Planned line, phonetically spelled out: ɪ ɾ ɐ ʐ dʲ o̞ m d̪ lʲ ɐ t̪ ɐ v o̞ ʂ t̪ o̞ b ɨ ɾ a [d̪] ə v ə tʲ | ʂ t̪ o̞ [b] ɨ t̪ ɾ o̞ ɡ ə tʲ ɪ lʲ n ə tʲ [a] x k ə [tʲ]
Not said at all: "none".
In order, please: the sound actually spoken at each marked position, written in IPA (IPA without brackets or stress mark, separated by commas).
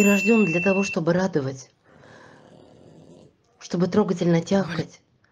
d̪, b, a, tʲ